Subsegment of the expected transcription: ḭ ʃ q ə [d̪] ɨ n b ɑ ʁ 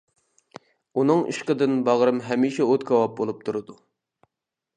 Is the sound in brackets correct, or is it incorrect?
correct